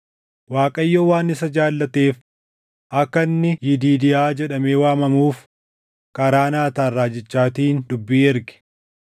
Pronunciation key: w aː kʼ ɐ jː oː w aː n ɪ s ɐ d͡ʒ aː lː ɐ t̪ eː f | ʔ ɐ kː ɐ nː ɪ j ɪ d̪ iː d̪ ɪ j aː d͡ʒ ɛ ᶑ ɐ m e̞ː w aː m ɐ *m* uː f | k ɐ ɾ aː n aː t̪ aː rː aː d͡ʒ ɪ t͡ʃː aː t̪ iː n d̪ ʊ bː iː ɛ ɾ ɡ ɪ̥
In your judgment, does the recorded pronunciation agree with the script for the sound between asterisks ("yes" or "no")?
yes